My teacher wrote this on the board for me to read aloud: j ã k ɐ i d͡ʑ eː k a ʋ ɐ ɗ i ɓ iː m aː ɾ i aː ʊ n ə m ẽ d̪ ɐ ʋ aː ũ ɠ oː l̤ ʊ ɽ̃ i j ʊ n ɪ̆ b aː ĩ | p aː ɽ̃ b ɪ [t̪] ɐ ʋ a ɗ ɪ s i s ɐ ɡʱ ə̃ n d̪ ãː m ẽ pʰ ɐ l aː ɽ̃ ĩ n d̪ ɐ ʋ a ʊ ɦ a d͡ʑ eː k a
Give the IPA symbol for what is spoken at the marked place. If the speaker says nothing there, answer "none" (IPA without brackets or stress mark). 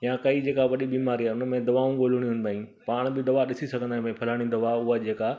d̪